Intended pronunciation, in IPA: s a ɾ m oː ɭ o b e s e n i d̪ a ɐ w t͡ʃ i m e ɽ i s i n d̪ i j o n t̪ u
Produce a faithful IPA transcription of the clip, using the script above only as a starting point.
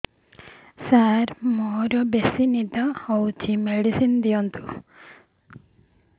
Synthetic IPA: s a ɾ m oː ɾ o b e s i n i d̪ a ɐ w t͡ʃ i m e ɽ i s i n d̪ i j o n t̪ u